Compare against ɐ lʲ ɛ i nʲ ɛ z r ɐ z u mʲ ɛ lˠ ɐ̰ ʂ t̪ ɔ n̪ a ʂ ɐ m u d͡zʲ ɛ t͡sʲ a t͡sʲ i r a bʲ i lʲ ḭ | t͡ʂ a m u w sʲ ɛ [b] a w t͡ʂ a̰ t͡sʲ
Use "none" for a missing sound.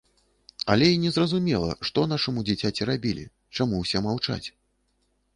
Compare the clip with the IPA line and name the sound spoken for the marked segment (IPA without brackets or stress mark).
m